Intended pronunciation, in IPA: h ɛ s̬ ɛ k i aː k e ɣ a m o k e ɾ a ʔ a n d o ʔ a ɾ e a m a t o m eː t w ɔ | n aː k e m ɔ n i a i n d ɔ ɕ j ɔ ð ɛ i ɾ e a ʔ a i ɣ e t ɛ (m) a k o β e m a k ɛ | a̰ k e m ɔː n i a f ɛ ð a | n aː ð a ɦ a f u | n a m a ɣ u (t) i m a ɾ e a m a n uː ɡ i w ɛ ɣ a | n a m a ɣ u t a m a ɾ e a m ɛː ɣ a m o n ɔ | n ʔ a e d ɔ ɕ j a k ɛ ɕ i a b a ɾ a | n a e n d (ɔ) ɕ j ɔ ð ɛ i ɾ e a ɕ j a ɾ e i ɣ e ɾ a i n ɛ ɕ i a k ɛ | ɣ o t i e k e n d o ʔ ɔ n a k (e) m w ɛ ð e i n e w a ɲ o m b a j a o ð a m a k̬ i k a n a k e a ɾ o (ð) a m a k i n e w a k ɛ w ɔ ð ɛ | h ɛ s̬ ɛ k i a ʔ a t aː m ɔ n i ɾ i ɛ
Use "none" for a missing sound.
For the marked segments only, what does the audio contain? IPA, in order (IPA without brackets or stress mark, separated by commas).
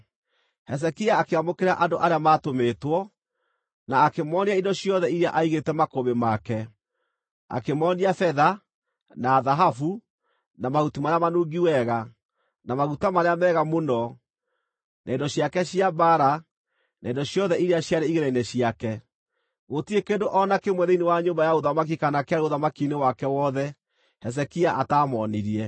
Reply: m, t, ɔ, e, ð